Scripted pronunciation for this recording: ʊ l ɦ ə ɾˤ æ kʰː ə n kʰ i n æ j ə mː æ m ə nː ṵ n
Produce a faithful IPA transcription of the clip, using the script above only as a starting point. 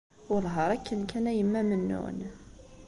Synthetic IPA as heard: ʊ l ɦ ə ɾˤ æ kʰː ə n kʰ æ n æ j ə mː æ m ə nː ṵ n